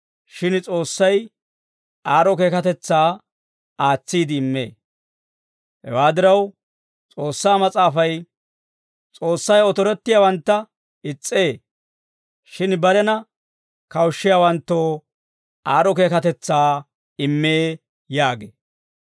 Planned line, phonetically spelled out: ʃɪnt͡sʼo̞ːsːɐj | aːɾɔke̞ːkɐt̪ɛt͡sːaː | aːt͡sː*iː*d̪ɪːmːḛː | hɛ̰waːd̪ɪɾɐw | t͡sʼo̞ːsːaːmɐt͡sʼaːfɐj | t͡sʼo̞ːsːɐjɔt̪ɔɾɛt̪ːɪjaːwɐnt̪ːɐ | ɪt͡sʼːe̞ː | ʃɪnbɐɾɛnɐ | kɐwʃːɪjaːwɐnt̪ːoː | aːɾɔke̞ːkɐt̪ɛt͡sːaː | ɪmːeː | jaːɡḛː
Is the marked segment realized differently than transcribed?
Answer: no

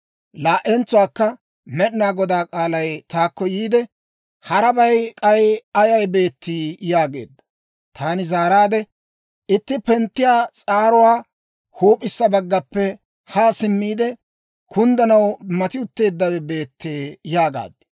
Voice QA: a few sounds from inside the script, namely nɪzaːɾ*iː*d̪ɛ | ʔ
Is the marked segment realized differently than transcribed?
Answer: yes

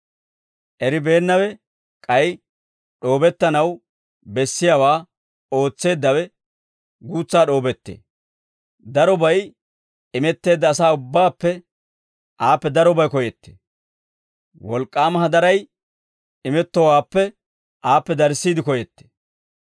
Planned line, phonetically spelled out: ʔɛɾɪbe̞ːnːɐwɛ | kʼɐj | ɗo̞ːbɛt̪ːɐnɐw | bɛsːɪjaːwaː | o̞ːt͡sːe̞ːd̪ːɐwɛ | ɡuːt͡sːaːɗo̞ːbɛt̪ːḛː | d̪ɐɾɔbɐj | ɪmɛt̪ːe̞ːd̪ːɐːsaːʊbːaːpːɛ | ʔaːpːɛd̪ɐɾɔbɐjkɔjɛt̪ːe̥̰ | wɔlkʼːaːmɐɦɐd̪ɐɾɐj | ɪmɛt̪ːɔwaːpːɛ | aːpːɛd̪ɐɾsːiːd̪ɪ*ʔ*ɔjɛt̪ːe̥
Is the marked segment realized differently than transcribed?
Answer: yes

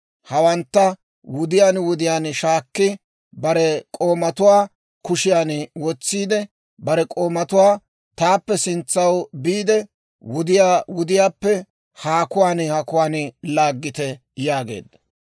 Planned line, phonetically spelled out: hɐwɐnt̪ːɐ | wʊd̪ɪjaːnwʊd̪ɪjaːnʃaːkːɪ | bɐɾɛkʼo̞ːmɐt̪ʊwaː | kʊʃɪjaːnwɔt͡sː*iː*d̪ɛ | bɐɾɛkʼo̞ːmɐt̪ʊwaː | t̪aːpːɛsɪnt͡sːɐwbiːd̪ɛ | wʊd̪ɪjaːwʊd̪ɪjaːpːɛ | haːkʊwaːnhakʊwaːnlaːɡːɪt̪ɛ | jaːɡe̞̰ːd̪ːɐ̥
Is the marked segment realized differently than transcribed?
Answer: no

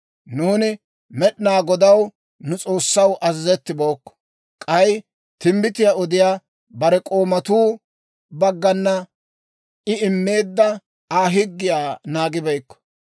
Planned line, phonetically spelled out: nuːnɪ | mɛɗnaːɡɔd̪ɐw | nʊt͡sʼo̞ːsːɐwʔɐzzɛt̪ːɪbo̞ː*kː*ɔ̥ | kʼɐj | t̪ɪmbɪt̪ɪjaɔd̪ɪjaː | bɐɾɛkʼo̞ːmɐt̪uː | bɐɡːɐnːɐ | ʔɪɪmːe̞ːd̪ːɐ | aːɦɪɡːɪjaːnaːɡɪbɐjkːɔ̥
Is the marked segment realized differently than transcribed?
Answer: no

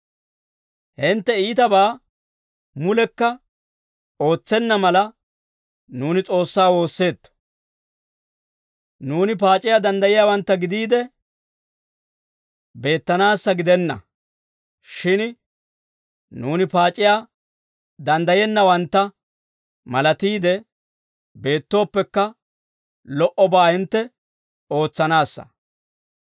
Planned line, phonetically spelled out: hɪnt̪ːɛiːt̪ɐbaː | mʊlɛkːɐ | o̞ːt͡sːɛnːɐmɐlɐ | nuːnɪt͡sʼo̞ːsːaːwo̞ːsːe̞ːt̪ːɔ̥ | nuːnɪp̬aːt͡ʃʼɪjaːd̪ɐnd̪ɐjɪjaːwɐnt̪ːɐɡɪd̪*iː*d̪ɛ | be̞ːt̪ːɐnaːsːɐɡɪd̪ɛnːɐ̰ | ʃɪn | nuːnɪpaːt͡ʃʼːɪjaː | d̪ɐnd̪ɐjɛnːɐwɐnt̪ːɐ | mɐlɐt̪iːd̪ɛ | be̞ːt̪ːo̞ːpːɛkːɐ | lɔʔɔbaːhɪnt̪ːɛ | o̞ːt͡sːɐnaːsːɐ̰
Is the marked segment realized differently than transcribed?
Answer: no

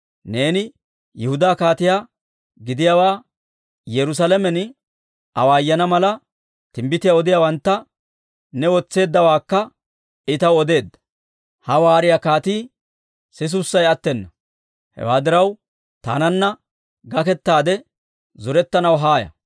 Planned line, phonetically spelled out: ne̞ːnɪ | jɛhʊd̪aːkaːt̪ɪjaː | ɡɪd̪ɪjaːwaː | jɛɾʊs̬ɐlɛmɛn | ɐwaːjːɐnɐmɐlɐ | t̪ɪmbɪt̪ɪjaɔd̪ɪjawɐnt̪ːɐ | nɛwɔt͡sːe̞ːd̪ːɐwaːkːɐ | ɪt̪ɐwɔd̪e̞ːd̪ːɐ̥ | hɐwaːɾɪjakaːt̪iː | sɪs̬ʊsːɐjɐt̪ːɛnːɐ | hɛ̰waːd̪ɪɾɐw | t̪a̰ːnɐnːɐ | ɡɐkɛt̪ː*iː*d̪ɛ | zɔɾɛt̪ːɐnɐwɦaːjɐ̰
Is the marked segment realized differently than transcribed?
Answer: yes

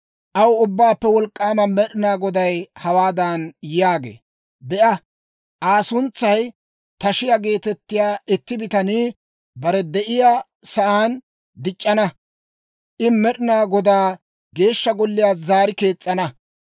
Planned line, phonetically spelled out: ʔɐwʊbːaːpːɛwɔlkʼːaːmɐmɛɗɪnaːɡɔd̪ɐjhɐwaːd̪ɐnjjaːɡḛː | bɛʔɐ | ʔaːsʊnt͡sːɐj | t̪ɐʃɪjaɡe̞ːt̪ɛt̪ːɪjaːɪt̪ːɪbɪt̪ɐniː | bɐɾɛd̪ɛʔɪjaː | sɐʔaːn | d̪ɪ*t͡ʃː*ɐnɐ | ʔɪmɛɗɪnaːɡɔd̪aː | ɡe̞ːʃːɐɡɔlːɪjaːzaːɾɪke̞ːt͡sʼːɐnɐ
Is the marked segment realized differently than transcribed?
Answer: yes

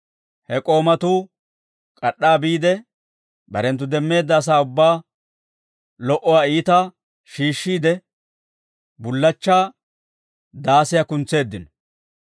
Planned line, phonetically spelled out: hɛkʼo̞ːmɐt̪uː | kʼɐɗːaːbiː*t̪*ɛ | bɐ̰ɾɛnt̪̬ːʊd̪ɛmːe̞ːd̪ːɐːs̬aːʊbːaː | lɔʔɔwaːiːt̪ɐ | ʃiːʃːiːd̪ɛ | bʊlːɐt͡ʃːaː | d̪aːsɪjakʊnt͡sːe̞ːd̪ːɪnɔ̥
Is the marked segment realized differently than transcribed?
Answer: yes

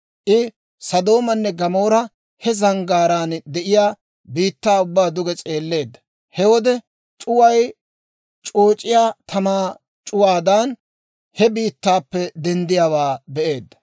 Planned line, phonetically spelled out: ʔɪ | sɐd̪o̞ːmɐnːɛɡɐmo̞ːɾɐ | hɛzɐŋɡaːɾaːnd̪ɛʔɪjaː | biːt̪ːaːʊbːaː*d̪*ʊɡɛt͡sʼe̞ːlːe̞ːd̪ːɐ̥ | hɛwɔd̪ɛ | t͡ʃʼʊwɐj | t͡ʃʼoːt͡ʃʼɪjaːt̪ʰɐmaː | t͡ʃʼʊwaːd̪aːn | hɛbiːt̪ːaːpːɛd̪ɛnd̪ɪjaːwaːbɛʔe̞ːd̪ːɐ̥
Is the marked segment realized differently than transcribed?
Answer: no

